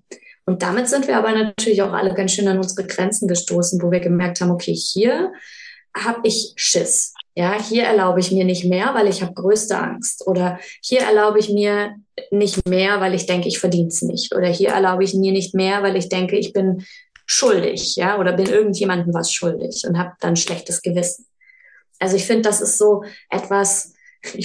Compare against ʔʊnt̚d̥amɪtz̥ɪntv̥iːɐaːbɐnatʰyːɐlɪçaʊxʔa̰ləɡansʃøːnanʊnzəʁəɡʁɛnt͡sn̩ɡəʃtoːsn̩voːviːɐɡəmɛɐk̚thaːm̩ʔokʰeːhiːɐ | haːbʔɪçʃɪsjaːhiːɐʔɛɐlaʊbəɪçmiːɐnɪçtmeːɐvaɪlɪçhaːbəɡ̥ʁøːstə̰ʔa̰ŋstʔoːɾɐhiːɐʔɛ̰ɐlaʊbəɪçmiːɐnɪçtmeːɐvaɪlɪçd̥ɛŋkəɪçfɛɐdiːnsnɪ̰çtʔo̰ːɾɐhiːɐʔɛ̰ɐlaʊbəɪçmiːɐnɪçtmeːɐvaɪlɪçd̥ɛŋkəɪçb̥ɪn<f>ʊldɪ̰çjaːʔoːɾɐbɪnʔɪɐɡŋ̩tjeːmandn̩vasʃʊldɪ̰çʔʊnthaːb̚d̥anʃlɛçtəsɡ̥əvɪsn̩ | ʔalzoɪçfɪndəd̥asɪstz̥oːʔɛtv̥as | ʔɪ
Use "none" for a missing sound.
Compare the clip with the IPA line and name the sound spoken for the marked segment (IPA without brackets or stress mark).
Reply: ʃ